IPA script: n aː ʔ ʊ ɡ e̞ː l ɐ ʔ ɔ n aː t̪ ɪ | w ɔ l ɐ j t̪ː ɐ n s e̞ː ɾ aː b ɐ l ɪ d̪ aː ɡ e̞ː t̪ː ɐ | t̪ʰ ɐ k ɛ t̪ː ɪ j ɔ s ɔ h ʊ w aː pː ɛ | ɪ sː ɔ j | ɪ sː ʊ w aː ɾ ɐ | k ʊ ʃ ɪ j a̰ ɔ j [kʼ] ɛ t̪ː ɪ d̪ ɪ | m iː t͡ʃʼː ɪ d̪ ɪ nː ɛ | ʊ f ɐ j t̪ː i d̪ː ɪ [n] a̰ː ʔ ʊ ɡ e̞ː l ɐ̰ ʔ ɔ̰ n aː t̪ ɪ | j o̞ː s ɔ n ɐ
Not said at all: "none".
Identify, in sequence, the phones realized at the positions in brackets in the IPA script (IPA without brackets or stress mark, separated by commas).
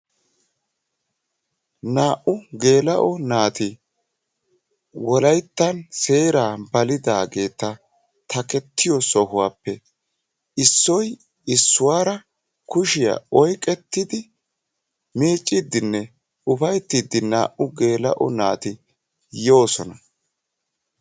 kʼ, n